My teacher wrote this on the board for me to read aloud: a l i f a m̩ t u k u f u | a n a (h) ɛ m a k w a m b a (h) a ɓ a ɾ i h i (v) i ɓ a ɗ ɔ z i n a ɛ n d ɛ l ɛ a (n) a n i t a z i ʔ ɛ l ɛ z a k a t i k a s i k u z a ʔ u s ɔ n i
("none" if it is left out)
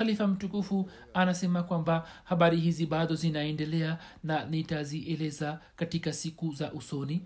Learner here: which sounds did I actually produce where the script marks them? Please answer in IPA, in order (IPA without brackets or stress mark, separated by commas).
s, h, z, n